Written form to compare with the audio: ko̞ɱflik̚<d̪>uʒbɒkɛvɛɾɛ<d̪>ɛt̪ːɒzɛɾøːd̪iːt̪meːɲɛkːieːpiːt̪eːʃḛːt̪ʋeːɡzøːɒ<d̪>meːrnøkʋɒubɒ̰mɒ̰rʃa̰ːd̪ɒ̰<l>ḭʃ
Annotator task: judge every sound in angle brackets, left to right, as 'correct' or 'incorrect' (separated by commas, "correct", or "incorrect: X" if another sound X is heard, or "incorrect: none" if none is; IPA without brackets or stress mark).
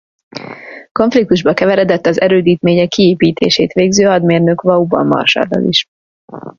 incorrect: t̪, correct, correct, correct